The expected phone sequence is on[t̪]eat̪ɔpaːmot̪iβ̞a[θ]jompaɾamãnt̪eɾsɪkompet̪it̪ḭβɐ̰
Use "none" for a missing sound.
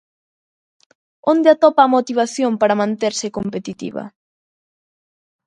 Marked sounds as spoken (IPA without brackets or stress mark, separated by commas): d̪, θ